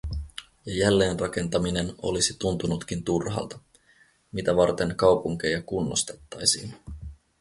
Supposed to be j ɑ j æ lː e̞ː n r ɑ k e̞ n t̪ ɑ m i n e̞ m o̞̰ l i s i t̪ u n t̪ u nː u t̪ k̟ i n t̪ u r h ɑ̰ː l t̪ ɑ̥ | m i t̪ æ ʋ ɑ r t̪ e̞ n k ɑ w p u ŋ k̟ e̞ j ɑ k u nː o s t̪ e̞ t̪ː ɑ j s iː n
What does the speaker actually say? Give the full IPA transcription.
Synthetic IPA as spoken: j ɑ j æ lː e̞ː n r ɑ k e̞ n t̪ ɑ m i n e̞ n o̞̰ l i s i t̪ u n t̪ u n u t̪ k̟ i n t̪ u r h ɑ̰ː l t̪ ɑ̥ | m i t̪ æ ʋ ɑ r t̪ e̞ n k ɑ w p u ŋ k̟ e̞ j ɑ k u nː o s t̪ e̞ t̪ː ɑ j s iː n